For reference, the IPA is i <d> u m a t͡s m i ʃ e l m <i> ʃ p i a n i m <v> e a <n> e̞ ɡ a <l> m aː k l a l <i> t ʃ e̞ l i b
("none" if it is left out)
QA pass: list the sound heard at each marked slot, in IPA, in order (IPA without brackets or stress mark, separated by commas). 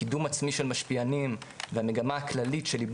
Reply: d, a, v, m, none, i